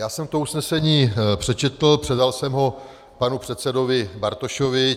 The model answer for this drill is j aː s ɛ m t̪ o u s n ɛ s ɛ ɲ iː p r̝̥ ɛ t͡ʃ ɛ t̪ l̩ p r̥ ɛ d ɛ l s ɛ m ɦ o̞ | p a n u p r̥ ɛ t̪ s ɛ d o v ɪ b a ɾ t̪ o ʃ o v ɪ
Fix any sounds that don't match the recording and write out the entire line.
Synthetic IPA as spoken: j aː s ɛ m t̪ o u s n ɛ s ɛ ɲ iː p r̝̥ ɛ t͡ʃ ɛ t̪ l̩ p r̥ ɛ d a l s ɛ m ɦ o̞ | p a n u p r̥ ɛ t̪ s ɛ d o v ɪ b a ɾ t̪ o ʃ o v ɪ